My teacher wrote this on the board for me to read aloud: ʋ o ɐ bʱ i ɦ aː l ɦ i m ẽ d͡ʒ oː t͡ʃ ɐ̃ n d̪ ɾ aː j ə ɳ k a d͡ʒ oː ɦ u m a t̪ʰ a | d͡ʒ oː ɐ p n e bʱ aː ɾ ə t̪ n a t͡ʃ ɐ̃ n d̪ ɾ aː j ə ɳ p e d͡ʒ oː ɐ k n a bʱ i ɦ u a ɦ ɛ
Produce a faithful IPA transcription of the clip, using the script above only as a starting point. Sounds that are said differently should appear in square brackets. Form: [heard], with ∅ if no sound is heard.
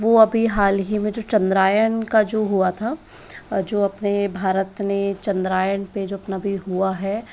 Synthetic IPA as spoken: ʋ o ɐ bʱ i ɦ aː l ɦ i m ẽ d͡ʒ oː t͡ʃ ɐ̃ n d̪ ɾ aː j ə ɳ k a d͡ʒ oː ɦ u [∅] a t̪ʰ a | d͡ʒ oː ɐ p n e bʱ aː ɾ ə t̪ n [e] t͡ʃ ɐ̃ n d̪ ɾ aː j ə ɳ p e d͡ʒ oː ɐ [p] n a bʱ i ɦ u a ɦ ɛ